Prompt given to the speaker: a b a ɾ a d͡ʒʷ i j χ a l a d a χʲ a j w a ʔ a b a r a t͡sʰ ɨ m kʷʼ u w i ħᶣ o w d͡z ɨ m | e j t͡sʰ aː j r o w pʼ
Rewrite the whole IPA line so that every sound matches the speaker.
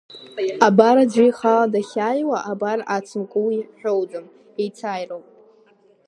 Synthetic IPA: a b a ɾ a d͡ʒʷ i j χ a l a d a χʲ a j w a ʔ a b a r a t͡sʰ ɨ m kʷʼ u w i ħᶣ o w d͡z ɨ m | e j t͡sʰ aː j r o w pʼ